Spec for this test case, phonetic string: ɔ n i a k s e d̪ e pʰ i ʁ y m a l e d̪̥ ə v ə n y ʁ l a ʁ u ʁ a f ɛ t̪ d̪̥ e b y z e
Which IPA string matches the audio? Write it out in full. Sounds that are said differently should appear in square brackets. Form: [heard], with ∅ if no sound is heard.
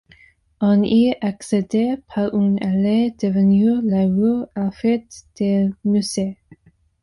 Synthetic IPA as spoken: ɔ n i a k s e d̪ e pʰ [a] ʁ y [n] a l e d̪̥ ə v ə n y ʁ l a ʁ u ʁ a f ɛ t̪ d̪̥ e [m] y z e